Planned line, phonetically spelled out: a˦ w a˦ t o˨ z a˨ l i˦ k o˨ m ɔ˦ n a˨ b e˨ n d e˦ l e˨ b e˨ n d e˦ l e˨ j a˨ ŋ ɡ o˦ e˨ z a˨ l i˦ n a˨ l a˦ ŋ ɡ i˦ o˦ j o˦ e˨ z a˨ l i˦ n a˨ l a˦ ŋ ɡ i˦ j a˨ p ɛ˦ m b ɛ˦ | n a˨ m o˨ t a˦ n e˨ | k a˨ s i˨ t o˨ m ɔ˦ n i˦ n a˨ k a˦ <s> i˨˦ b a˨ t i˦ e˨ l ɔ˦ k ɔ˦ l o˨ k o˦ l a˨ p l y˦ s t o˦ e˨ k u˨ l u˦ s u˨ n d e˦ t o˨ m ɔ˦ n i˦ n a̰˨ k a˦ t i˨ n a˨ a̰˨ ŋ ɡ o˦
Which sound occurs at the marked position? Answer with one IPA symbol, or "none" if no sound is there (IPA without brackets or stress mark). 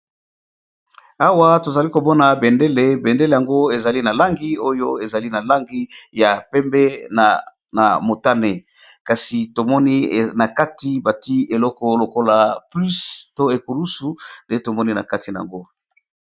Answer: t